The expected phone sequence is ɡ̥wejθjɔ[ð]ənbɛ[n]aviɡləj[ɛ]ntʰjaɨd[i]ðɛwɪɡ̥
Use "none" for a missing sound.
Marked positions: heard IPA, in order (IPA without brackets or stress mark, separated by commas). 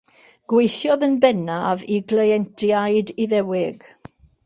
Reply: ð, n, ɛ, i